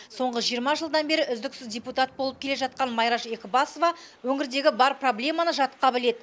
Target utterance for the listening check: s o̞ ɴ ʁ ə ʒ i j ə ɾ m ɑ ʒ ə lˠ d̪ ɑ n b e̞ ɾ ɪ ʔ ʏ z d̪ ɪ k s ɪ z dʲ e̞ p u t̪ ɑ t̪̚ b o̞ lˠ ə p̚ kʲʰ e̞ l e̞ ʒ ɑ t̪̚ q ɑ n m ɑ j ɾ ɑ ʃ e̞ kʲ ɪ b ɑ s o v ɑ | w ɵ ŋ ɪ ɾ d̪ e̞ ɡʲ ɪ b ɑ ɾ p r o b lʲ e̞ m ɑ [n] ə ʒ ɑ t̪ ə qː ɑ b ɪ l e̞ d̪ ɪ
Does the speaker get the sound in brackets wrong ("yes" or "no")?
no